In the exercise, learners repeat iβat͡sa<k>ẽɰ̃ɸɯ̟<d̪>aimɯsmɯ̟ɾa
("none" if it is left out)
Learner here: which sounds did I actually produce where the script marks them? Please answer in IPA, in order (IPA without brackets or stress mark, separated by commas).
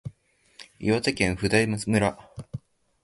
k, d̪